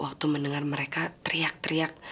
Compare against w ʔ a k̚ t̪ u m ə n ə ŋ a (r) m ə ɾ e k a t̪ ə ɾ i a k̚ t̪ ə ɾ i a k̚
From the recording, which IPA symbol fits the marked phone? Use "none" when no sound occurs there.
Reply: r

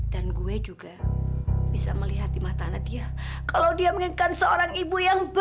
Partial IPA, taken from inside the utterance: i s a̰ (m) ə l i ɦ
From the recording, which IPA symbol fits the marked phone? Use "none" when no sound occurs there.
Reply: m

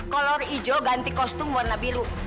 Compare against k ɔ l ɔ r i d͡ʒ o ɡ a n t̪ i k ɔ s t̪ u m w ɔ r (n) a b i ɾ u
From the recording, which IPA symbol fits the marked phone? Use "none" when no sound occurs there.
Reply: n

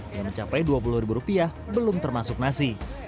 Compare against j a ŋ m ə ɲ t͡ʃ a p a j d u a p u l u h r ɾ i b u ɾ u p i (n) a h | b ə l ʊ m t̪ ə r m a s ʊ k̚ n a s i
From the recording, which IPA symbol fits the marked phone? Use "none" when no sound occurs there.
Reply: none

